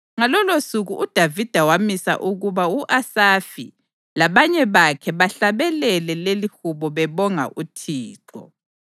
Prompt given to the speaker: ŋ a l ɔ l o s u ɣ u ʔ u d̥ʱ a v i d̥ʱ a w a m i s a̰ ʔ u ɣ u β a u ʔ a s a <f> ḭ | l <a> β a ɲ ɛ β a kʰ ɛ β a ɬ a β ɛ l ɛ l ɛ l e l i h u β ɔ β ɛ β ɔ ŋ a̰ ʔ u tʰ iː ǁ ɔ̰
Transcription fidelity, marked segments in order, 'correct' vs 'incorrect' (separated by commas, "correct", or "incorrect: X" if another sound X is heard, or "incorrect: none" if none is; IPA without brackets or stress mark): correct, correct